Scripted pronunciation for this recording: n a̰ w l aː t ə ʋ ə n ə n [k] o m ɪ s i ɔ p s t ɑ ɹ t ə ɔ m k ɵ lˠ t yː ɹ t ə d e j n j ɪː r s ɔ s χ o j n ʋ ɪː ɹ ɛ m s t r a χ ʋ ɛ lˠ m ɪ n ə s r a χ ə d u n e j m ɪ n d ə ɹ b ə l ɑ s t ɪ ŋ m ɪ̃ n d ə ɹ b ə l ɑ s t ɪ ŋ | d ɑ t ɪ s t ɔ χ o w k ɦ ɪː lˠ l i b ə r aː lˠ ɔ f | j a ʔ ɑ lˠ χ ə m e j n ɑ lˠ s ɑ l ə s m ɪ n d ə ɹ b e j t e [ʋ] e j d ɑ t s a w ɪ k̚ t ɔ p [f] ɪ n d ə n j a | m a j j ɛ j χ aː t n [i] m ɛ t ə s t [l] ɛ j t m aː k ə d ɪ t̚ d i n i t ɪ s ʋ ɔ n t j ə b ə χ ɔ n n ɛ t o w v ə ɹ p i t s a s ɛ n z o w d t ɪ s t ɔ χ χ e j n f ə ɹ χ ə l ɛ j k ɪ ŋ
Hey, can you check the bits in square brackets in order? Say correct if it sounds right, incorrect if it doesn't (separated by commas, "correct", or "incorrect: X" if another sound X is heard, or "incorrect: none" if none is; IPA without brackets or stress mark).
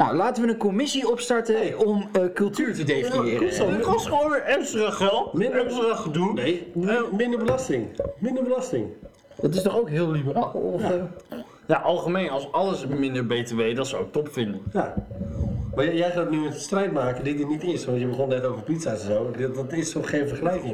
correct, correct, correct, incorrect: y, incorrect: r